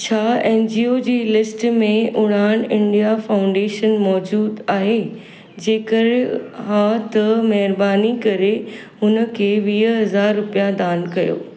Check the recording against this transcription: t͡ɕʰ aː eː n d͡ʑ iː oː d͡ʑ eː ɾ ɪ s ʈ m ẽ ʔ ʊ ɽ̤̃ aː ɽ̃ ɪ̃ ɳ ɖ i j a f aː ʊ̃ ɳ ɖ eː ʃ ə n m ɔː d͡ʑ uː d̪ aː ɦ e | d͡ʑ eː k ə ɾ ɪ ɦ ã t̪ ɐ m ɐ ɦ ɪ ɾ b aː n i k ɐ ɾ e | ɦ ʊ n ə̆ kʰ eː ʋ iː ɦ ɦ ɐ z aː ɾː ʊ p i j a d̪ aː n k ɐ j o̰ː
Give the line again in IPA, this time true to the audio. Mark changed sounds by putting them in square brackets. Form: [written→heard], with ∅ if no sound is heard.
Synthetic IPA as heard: t͡ɕʰ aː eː n d͡ʑ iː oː d͡ʑ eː [ɾ→l] ɪ s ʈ m ẽ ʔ ʊ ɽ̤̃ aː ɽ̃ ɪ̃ ɳ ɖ i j a f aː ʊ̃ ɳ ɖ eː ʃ ə n m ɔː d͡ʑ uː d̪ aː ɦ e | d͡ʑ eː k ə ɾ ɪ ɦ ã t̪ ɐ m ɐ ɦ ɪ ɾ b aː n i k ɐ ɾ e | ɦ ʊ n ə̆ kʰ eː ʋ iː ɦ ɦ ɐ z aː ɾː ʊ p i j a d̪ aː n k ɐ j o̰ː